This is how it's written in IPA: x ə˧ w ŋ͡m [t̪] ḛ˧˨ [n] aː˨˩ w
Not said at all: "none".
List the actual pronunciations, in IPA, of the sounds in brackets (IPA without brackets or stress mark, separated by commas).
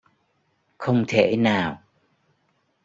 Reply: t̪ʰ, n